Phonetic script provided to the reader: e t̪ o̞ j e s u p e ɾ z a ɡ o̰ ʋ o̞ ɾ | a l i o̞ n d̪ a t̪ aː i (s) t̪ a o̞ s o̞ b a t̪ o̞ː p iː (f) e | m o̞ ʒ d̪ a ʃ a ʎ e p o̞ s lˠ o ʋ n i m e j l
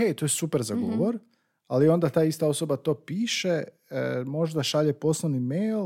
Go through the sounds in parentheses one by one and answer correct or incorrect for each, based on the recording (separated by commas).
correct, incorrect